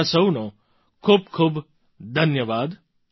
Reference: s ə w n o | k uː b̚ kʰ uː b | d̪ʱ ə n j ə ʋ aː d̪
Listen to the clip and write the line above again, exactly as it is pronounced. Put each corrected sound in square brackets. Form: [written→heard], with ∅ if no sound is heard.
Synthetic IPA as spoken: s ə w n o | [k→kʰ] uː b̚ kʰ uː b | d̪ʱ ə n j ə ʋ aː d̪

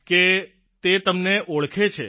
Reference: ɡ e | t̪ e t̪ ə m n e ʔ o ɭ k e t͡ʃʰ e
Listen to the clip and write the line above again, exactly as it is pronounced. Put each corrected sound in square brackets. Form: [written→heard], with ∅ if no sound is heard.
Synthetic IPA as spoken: [ɡ→k] e | t̪ e t̪ ə m n e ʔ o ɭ [k→kʰ] e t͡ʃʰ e

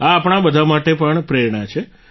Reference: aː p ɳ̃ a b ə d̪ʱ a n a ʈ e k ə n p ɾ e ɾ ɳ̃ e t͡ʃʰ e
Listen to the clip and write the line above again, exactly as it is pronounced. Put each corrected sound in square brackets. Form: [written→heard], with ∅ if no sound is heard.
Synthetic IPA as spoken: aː p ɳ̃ a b ə d̪ʱ a [n→m] a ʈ e [k→p] ə [n→ɳ] p ɾ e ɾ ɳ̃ [e→a] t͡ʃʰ e

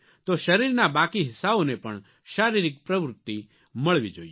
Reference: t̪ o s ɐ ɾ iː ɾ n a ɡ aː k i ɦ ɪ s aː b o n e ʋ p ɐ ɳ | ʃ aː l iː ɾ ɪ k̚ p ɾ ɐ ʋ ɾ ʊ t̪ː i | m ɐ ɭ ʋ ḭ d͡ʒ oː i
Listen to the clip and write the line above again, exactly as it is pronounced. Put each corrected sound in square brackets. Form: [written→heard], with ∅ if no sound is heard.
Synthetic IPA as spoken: t̪ o [s→ʃ] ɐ ɾ iː ɾ n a [ɡ→b] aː k i ɦ ɪ s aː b o n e [ʋ→∅] p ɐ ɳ | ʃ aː [l→ɾ] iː ɾ ɪ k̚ p ɾ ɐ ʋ ɾ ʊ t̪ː i | m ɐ ɭ ʋ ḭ d͡ʒ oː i

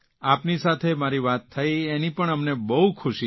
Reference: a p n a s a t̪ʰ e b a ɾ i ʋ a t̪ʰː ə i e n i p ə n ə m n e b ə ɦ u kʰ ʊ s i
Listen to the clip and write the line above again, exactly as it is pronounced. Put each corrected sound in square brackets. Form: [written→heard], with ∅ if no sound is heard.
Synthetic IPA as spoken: a p n [a→i] s a t̪ʰ e [b→m] a ɾ i ʋ a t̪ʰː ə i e n i p ə [n→ɳ] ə m n e b ə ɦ u kʰ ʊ [s→ʃ] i

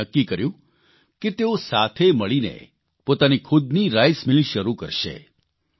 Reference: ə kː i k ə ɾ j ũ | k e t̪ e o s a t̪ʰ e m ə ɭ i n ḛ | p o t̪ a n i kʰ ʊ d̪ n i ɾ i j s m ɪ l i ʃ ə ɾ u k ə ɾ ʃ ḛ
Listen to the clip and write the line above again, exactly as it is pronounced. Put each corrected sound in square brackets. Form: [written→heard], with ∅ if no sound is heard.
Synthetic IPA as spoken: ə kː i k ə ɾ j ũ | k e t̪ e o s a t̪ʰ e m ə ɭ i n ḛ | p o t̪ a n i kʰ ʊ d̪ n i ɾ [i→a] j s m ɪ l i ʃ ə ɾ u k ə ɾ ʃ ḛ

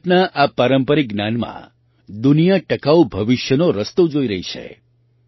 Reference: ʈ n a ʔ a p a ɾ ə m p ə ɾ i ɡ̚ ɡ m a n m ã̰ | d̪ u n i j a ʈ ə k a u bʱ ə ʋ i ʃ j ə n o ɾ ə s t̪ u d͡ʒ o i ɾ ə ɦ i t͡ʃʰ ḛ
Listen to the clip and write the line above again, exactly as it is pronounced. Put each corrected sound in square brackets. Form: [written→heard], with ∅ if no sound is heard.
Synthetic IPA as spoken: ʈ n a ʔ a p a ɾ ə m p ə ɾ i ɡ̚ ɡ [m→n] a n m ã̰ | d̪ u n i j a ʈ ə k a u bʱ ə ʋ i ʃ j ə n o ɾ ə s t̪ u d͡ʒ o i ɾ ə ɦ i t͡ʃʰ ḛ

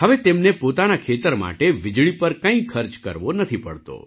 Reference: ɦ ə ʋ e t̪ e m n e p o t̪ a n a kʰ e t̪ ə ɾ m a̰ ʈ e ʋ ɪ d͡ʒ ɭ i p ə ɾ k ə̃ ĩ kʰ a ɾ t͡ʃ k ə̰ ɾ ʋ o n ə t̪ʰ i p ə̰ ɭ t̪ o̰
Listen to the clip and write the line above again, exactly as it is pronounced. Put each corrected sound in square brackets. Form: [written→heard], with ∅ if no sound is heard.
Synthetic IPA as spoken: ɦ ə ʋ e t̪ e m n e p o t̪ a n a kʰ e t̪ ə ɾ m a̰ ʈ e ʋ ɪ d͡ʒ ɭ i p ə ɾ k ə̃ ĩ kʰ [a→ə] ɾ t͡ʃ k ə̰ ɾ ʋ o n ə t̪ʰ i p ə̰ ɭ t̪ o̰

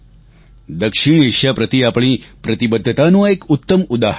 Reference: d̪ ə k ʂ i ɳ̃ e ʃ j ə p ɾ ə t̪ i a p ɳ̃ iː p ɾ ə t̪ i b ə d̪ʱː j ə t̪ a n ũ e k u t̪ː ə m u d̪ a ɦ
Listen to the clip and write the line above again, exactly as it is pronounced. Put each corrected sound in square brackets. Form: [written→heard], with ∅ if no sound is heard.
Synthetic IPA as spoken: d̪ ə k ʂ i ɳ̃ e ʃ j [ə→a] p ɾ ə t̪ i a p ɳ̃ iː p ɾ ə t̪ i b ə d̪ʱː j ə t̪ a n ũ e k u t̪ː ə m u d̪ a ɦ

